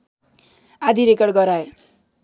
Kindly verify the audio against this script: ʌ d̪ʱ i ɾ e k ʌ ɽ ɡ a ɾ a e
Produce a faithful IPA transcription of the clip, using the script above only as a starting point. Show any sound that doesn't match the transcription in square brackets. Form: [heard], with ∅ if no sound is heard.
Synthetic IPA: [a] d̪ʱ i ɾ e k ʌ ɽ ɡ [ʌ] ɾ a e